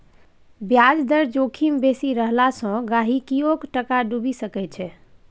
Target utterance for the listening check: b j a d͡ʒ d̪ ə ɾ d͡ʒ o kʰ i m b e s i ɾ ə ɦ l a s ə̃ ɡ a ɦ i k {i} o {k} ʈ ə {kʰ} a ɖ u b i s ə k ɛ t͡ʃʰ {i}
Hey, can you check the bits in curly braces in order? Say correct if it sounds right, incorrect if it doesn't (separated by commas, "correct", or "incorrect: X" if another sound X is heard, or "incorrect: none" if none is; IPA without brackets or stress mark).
correct, correct, incorrect: k, incorrect: ɛ